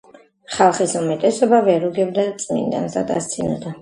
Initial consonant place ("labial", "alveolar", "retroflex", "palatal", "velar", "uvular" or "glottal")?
uvular